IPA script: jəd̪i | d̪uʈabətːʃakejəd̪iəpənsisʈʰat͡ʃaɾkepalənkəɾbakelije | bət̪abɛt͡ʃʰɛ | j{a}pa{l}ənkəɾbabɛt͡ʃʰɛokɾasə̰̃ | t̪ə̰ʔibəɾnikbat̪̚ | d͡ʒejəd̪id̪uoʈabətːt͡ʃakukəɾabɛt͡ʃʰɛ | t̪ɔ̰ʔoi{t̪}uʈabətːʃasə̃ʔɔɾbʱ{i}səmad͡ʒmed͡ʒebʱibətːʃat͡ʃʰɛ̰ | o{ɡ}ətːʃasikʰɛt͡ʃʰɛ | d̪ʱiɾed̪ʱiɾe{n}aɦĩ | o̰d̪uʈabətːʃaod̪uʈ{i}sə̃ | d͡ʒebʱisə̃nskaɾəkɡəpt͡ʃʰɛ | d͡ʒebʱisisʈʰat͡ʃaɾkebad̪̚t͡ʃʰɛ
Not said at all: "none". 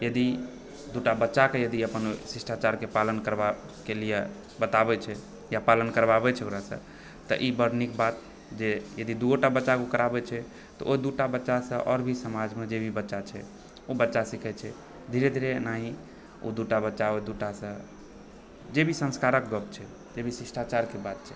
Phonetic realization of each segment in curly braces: a, l, d̪, i, b, n, a

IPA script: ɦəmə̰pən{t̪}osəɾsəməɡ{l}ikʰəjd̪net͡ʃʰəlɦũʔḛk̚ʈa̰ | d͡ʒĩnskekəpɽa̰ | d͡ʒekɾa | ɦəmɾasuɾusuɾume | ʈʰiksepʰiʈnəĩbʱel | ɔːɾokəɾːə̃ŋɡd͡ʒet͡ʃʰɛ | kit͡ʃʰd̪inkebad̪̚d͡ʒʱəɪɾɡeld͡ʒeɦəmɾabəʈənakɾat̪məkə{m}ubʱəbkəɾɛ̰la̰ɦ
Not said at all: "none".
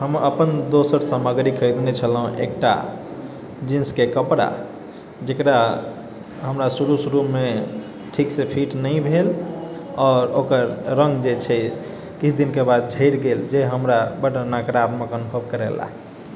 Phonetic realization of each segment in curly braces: d̪, ɾ, n

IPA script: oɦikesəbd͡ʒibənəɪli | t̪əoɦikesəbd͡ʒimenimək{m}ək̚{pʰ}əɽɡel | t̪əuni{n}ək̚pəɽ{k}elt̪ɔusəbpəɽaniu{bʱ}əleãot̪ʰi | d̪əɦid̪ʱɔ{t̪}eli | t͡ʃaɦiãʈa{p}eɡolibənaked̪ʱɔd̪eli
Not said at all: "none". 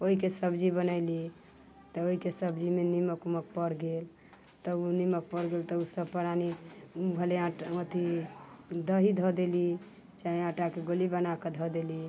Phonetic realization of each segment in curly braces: m, p, m, ɡ, bʱ, d̪, k

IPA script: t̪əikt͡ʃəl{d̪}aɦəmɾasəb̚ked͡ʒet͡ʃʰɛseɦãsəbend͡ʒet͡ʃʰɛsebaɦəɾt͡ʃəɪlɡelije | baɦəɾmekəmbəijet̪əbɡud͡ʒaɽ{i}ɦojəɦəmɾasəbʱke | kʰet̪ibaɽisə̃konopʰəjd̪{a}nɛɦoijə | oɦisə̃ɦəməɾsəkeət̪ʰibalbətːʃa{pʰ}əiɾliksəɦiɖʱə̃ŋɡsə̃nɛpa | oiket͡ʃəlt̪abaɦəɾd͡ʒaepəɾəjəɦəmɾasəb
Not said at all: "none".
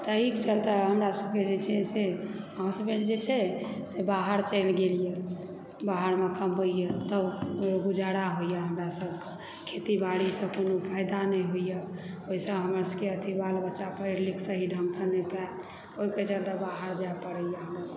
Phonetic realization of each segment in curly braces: t̪, a, a, p

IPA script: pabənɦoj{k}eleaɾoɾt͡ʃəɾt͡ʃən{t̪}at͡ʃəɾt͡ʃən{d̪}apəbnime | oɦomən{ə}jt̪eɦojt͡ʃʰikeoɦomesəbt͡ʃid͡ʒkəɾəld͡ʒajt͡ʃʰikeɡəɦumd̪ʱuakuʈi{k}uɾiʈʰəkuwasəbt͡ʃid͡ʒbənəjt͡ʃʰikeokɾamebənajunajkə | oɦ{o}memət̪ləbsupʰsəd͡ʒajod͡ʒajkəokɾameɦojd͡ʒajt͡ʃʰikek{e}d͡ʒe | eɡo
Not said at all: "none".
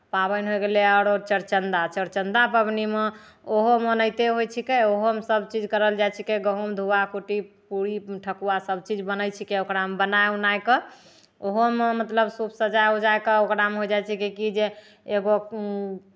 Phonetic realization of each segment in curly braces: ɡ, d̪, d̪, ə, p, o, i

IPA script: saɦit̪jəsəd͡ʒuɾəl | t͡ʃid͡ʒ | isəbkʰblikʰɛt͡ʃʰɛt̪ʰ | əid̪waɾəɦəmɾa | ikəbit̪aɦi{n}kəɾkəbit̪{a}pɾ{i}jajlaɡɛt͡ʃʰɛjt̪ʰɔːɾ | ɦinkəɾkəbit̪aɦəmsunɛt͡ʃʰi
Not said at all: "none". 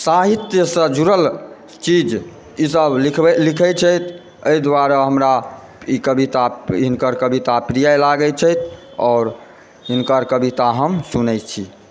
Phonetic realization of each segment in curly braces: n, a, i

